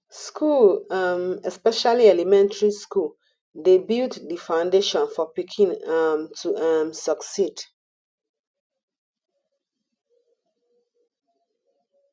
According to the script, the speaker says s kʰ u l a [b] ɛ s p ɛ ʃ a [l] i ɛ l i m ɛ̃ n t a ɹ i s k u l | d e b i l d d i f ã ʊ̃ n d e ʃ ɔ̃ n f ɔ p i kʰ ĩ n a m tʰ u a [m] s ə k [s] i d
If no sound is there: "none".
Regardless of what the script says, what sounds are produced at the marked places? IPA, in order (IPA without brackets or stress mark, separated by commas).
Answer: m, l, m, s